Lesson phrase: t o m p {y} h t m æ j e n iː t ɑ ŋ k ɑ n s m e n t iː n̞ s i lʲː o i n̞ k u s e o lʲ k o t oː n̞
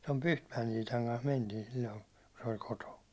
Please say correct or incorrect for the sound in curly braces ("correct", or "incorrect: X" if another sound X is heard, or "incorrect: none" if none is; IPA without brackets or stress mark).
correct